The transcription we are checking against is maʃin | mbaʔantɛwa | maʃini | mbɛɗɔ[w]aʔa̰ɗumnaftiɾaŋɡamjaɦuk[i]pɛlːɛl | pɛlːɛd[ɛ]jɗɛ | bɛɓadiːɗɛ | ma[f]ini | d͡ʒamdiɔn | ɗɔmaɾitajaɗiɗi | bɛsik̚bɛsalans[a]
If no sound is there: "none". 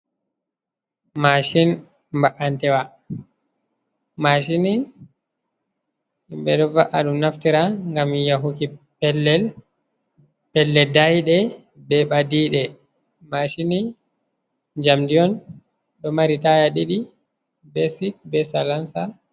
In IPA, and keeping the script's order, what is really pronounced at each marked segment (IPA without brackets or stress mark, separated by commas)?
v, i, a, ʃ, a